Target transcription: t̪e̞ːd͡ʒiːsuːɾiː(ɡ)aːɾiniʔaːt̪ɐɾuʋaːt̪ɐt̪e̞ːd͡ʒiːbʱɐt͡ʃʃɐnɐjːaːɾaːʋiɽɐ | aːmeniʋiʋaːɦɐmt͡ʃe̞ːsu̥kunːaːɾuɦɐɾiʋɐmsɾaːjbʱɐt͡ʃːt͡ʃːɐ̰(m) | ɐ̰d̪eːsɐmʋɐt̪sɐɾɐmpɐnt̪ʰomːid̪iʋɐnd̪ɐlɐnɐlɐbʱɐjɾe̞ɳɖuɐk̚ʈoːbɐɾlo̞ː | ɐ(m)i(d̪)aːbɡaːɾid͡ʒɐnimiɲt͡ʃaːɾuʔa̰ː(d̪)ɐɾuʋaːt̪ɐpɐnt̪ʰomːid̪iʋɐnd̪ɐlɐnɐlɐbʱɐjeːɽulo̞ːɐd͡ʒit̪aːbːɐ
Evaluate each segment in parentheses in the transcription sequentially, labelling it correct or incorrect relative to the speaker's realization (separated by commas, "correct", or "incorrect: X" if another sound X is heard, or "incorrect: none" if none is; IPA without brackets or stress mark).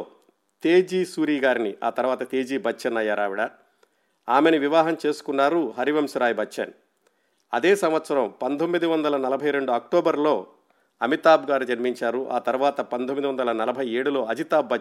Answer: correct, incorrect: n, correct, incorrect: t̪, incorrect: t̪